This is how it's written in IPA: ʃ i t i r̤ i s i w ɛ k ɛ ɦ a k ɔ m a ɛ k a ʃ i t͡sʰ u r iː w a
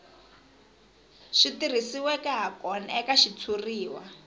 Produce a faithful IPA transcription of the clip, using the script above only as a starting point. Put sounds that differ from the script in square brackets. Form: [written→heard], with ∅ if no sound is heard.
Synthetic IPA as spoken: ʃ i t i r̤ i s i w ɛ k ɛ ɦ a k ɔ [m→n] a ɛ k a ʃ i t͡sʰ u r iː w a

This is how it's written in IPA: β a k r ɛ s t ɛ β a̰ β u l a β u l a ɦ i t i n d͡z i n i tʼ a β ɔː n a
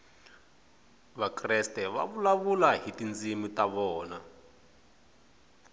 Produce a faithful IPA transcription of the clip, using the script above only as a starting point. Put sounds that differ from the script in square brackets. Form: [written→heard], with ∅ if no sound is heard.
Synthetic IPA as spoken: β a k r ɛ s t ɛ β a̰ β u l a β u l a ɦ i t i n d͡z i [n→m] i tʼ a β ɔː n a

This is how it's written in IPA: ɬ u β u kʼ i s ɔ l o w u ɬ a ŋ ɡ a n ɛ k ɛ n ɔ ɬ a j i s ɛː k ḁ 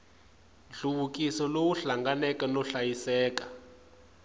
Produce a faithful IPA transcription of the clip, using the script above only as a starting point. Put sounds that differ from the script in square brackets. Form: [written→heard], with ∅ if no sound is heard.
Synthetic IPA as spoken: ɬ u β u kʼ i s ɔ l o w u ɬ a ŋ ɡ a n ɛ k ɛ n ɔ ɬ a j i s ɛː k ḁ

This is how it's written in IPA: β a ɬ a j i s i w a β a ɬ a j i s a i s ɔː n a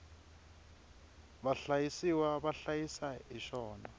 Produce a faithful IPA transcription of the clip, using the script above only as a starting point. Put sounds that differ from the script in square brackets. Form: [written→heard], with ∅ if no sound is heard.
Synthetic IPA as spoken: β a ɬ a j i s i w a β a ɬ a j i s a i [s→ʃ] ɔː n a

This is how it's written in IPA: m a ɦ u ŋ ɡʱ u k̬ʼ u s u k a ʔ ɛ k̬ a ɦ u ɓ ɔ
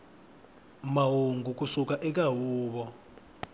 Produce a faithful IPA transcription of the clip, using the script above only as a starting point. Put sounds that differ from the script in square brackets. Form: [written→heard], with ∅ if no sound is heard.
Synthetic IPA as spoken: m a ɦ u ŋ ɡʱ u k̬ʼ u s u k a ʔ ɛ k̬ a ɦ [u→uː] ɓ ɔ

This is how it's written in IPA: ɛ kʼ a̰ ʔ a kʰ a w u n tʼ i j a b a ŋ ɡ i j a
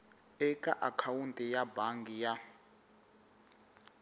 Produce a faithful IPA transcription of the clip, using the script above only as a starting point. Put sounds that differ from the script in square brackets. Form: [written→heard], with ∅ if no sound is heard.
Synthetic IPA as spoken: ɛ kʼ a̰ ʔ a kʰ a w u n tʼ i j a b a ŋ ɡ i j a

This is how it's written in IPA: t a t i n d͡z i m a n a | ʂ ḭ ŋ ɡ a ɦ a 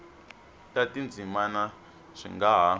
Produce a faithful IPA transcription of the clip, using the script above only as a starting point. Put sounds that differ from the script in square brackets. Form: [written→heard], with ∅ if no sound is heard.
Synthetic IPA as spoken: t a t i n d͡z i m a n a | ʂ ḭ ŋ ɡ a ɦ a

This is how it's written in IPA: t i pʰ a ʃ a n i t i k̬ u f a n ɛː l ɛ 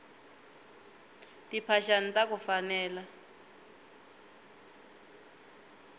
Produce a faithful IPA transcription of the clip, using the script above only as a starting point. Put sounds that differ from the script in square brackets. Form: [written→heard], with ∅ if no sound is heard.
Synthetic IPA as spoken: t i pʰ a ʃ a n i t [i→a] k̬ u f a n ɛː l [ɛ→a]

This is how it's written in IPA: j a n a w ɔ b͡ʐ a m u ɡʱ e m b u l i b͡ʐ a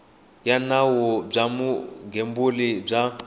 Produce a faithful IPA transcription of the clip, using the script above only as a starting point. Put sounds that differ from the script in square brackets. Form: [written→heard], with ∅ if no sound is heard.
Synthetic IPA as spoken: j a n a w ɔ b͡ʐ a m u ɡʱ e m b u l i b͡ʐ a

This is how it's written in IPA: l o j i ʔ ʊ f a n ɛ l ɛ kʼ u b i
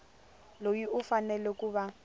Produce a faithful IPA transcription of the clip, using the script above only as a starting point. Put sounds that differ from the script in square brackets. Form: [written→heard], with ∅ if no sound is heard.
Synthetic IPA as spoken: l o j i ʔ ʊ f a n ɛ l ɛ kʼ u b [i→a]

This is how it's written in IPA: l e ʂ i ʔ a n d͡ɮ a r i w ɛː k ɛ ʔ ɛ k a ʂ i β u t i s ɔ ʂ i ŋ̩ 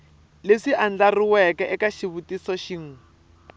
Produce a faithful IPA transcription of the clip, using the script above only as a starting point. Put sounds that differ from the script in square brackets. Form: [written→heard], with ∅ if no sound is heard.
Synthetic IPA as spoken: l e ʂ i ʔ a n d͡ɮ a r i w [ɛː→ɛ] k ɛ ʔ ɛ k a [ʂ→ʃ] i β u t i s ɔ [ʂ→ʃ] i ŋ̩

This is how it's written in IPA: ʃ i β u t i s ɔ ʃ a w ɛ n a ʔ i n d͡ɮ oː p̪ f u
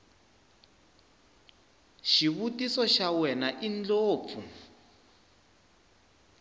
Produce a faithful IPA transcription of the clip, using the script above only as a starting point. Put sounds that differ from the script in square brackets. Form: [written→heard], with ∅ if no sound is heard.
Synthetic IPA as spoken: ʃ i β u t i s ɔ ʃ a w ɛ n a ʔ i n d͡ɮ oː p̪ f u

